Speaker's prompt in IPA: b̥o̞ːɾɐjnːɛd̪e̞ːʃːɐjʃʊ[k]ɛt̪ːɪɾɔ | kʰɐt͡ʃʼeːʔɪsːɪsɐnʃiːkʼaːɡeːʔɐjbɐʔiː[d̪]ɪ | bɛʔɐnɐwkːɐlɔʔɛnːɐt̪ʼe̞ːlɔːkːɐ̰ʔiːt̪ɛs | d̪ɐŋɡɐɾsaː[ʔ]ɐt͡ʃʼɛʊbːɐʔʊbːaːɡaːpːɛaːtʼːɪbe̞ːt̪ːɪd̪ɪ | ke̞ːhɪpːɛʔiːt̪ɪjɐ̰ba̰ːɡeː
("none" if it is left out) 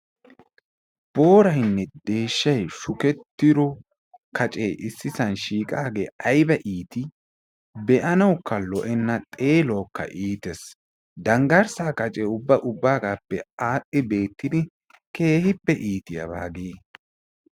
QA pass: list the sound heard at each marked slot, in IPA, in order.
k, t̪, k

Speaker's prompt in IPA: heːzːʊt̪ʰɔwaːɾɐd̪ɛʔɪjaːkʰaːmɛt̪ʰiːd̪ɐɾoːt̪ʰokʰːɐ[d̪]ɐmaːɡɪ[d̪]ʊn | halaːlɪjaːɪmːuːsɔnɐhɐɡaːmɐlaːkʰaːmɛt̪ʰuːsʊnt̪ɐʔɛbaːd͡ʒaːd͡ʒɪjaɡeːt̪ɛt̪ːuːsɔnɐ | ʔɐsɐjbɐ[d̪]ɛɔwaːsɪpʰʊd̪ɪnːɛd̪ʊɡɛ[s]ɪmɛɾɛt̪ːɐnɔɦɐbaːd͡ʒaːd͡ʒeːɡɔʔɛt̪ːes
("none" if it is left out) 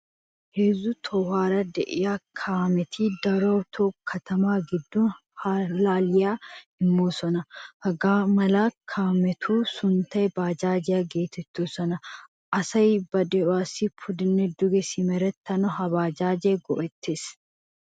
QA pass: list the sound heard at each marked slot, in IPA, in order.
t̪, d̪ː, d̪, s

